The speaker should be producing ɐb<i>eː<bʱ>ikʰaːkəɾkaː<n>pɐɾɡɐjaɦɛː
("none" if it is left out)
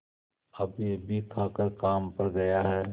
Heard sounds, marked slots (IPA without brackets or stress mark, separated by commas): j, bʱ, m